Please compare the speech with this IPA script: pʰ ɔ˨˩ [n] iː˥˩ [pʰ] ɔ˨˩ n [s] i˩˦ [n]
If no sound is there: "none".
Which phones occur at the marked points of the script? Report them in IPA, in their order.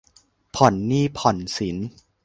nː, pʰ, s, n

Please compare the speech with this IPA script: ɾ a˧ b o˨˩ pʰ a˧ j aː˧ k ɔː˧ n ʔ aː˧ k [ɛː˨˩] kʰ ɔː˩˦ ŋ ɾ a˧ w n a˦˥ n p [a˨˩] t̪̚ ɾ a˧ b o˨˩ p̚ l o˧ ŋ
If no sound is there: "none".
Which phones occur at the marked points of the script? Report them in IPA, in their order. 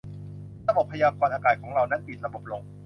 aː˨˩, i˨˩

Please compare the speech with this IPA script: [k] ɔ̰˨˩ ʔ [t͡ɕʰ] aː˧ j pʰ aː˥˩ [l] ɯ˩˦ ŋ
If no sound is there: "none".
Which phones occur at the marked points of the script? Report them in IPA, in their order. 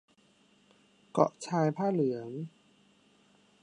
k, t͡ɕʰ, l

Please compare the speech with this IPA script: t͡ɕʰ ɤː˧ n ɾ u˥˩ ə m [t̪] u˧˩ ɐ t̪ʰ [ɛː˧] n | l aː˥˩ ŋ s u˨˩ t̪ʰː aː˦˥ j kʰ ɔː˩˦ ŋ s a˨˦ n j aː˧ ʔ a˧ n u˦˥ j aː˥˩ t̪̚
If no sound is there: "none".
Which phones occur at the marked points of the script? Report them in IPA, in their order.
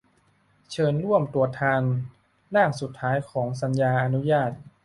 t̪, aː˧

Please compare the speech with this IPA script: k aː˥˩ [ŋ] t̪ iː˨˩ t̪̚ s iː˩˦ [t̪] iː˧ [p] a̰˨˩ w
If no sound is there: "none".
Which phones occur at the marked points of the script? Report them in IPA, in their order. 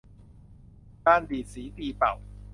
n, t̪, p

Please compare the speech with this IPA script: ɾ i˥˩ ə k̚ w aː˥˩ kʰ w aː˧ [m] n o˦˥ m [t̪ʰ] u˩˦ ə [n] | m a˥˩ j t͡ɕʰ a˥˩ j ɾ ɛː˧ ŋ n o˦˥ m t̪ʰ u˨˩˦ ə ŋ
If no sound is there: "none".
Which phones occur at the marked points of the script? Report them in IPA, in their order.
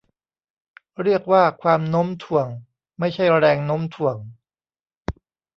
m, t̪ʰ, ŋ

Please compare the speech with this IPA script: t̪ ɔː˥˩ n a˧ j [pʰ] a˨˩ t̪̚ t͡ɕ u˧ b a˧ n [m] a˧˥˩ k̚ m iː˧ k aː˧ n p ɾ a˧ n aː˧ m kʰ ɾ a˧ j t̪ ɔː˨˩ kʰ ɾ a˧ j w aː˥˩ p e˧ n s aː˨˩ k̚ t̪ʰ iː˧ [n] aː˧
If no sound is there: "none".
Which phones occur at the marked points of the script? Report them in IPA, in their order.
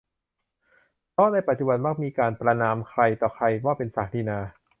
p, m, n

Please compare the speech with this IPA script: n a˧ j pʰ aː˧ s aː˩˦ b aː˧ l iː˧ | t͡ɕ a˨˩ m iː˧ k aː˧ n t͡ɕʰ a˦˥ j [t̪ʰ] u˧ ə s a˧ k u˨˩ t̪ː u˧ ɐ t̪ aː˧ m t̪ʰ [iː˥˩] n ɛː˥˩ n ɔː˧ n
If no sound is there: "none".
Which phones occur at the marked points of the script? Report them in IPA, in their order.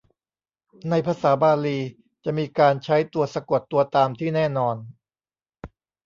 t̪, iː˥˩

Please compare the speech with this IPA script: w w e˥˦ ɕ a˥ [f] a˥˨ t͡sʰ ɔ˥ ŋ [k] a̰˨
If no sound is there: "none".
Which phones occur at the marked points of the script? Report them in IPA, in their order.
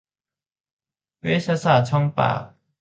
s, p

